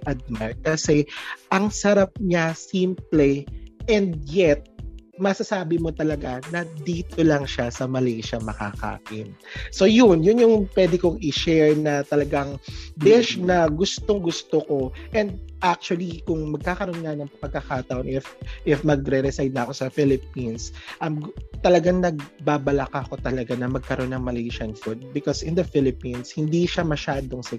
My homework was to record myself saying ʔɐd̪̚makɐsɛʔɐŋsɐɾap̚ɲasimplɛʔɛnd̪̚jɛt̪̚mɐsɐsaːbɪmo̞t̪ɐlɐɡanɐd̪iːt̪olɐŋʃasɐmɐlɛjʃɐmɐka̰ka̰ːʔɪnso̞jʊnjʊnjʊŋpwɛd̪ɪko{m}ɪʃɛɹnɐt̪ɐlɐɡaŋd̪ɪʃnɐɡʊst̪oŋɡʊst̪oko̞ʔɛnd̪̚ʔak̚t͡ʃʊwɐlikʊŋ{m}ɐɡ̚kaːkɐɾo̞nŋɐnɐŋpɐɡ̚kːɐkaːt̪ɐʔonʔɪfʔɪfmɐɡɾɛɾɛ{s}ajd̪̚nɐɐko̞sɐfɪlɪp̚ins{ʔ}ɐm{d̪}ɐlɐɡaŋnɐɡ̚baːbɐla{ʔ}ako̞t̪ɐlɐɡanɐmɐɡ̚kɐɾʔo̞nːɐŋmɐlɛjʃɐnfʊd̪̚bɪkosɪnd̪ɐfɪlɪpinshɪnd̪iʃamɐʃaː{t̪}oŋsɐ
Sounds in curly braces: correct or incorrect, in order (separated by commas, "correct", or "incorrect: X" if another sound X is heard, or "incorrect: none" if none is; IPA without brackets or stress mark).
incorrect: ŋ, correct, correct, correct, incorrect: t̪, incorrect: k, incorrect: d̪